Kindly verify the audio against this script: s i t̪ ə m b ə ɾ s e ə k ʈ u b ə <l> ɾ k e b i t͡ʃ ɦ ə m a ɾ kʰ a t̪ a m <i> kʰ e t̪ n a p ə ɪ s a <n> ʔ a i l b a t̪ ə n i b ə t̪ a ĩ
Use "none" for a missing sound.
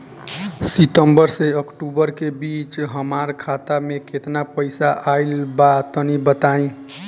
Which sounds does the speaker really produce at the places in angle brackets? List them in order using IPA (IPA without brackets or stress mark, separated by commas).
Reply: none, e, none